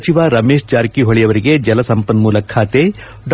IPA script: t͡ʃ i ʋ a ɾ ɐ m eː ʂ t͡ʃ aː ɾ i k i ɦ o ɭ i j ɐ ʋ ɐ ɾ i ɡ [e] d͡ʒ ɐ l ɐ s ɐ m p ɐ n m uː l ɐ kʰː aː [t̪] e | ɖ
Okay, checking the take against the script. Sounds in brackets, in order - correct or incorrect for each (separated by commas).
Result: correct, correct